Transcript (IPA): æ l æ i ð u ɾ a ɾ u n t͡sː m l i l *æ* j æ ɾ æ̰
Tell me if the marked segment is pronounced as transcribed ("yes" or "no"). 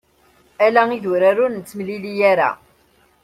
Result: no